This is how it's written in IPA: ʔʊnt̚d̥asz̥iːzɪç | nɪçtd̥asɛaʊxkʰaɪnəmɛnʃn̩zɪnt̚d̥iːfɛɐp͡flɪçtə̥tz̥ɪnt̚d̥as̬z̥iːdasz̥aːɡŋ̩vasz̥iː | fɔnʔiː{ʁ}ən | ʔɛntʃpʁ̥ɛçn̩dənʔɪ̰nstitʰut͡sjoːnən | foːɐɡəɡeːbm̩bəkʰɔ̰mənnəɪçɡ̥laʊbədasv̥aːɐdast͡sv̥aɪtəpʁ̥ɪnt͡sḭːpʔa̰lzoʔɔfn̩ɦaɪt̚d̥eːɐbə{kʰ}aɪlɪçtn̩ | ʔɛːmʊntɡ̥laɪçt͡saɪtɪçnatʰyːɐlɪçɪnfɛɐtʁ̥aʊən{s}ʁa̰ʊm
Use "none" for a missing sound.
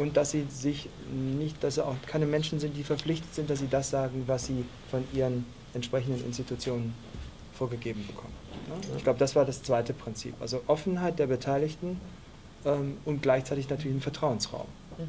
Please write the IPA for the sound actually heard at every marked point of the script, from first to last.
ʁ, tʰ, s

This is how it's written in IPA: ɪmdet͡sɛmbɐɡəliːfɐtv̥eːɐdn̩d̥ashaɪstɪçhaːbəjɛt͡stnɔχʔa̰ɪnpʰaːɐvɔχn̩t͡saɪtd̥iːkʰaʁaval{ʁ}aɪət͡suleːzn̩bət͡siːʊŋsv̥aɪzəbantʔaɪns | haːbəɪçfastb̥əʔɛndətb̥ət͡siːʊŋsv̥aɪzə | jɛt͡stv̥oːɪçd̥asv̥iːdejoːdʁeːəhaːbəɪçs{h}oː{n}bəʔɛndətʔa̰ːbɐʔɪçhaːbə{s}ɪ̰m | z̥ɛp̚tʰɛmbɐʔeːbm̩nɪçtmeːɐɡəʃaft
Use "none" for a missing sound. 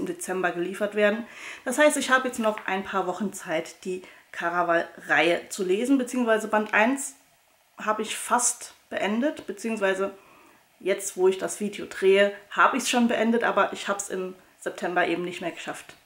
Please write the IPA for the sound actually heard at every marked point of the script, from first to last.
ʁ, ʃ, n, s

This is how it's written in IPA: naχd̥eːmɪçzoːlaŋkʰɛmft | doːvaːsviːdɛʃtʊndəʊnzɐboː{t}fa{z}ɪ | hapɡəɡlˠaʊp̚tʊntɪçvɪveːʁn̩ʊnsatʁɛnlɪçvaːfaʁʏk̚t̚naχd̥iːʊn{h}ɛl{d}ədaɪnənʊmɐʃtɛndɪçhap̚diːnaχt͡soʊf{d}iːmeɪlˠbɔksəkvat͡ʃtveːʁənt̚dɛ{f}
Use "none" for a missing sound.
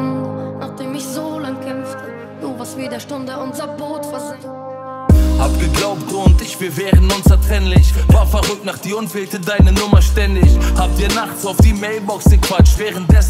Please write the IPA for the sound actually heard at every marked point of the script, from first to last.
t, z, f, t, d, s

